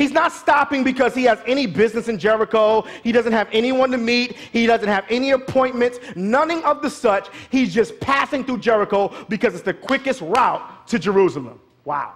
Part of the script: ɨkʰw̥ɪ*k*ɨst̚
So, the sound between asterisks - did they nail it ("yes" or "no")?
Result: yes